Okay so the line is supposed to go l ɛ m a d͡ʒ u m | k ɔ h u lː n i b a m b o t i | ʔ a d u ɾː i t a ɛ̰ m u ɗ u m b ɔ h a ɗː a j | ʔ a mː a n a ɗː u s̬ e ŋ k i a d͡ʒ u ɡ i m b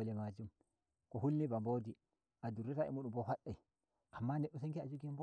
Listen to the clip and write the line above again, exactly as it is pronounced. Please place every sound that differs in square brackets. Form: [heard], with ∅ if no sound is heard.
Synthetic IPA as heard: l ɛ m a d͡ʒ u m | k ɔ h u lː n i b a m b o [d] i | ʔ a d u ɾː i t a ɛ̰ m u ɗ u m b ɔ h a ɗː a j | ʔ a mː a n [ɛ] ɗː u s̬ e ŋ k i a d͡ʒ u ɡ i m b